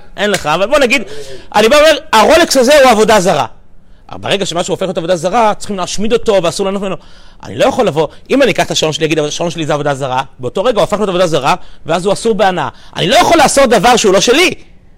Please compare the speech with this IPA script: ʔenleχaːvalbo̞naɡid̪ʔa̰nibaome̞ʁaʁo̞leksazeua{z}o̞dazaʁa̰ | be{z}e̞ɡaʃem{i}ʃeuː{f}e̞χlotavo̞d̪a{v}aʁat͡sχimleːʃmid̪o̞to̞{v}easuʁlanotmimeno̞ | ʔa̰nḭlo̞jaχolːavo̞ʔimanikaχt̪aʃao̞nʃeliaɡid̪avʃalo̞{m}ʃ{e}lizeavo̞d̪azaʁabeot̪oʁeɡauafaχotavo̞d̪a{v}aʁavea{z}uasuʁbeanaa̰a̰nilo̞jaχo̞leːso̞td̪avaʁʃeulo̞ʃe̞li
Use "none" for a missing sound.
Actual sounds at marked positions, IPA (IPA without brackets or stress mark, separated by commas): v, ʁ, a, f, z, v, n, e, z, z